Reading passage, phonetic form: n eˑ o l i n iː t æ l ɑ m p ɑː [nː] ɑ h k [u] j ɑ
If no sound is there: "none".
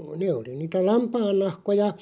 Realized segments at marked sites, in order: nː, o

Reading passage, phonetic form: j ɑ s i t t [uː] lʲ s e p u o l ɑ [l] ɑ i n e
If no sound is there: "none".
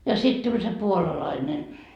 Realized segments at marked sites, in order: u, l

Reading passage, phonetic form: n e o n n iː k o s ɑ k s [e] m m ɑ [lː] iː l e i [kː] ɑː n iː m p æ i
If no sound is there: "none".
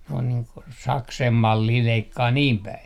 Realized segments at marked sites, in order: e, lː, kː

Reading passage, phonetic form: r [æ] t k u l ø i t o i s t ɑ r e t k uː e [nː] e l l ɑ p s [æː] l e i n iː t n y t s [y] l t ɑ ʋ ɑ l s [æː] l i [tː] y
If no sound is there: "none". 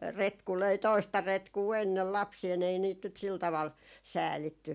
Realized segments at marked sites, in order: e, nː, iː, i, æː, tː

